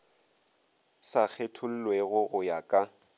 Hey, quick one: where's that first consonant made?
tongue tip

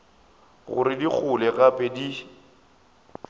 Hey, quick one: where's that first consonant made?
velum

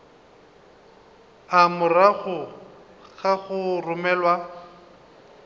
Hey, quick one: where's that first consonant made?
lips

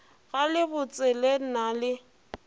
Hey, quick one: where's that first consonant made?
velum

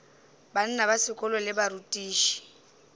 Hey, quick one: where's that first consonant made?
lips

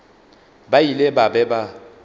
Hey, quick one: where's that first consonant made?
lips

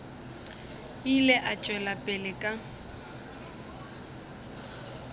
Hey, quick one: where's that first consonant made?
tongue tip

